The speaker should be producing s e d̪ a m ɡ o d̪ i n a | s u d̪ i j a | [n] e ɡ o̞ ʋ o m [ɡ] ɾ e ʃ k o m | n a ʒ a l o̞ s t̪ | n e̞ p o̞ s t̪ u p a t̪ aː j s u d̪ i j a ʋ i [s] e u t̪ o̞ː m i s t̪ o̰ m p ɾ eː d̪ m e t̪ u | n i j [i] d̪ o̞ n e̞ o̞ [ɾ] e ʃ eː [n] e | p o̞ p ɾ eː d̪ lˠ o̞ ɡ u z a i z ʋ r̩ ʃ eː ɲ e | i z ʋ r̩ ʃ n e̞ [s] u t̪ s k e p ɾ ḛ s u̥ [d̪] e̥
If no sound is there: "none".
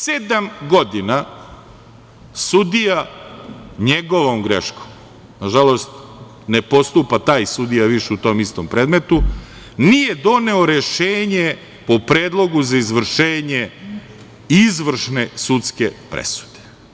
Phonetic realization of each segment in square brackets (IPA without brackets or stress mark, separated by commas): ɲ, ɡ, ʃ, e, ɾ, ɲ, s, d̪